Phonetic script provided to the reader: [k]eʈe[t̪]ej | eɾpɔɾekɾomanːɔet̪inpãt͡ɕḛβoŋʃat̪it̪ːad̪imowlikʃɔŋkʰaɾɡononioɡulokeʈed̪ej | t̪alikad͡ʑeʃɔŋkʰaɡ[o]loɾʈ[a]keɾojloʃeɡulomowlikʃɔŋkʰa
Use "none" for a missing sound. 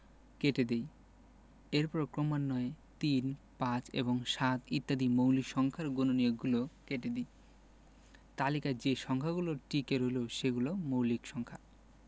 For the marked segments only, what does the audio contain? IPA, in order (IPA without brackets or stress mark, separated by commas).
k, d̪, u, i